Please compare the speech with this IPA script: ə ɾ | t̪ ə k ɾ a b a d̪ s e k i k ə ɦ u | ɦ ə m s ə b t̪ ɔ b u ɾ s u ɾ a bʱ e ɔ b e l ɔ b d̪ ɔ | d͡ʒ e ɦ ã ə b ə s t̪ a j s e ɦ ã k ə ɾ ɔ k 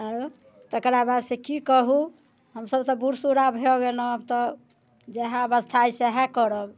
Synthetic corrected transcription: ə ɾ | t̪ ə k ɾ a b a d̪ s e k i k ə ɦ u | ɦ ə m s ə b t̪ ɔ b u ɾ s u ɾ a bʱ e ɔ ɡ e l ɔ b t̪ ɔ | d͡ʒ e ɦ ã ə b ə s t̪ʰ a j s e ɦ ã k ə ɾ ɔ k